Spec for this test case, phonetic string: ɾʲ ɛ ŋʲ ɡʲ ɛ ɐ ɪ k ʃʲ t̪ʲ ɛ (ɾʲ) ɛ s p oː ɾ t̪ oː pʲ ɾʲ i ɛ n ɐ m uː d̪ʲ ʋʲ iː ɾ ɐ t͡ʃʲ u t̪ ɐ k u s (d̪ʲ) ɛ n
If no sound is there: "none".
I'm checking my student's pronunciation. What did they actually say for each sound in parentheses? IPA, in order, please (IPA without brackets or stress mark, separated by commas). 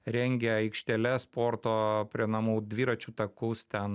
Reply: lʲ, t̪ʲ